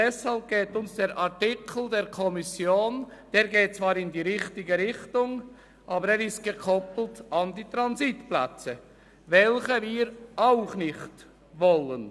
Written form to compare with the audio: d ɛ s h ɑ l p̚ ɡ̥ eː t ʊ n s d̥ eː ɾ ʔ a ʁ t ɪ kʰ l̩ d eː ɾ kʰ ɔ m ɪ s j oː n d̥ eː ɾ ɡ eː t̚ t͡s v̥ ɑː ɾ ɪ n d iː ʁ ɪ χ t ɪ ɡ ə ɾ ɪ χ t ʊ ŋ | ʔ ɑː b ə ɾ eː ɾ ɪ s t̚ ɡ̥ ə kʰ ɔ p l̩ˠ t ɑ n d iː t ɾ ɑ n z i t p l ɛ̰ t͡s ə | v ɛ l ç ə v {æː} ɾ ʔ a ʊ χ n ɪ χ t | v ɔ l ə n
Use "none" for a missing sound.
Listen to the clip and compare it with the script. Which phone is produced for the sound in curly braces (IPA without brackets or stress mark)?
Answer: iː